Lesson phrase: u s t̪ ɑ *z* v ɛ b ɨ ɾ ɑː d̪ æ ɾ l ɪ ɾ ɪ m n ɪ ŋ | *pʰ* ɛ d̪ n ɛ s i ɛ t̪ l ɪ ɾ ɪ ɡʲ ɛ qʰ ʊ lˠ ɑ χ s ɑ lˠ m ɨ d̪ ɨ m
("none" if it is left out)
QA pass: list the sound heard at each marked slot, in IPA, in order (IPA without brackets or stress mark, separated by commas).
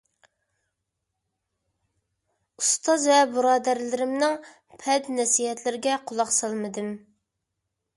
z, pʰ